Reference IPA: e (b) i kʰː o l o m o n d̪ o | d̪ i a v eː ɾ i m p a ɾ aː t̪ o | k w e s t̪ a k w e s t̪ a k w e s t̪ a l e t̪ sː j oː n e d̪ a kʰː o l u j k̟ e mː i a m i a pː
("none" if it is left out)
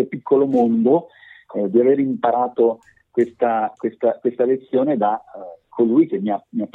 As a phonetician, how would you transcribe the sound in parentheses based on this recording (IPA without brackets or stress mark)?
p